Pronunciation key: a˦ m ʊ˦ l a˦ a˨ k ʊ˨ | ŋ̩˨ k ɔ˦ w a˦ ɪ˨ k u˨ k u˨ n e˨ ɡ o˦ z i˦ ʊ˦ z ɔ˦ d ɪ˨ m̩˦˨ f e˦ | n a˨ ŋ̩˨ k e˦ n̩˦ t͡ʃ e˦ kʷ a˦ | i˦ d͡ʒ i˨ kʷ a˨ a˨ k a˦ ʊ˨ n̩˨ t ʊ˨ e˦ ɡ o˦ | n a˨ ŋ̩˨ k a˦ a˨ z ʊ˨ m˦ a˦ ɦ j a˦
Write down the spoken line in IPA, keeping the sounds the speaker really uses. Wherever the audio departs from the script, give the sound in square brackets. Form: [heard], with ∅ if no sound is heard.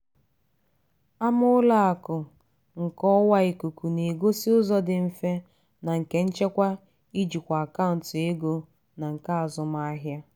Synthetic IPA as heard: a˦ m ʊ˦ l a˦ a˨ k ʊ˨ | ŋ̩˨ k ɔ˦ w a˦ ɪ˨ k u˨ k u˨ n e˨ ɡ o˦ [s] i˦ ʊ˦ z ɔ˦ d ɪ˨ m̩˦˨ f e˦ | n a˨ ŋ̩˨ k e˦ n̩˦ t͡ʃ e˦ kʷ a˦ | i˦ d͡ʒ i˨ kʷ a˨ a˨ k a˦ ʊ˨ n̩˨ t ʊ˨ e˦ ɡ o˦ | n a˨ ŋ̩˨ k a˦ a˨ z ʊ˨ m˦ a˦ ɦ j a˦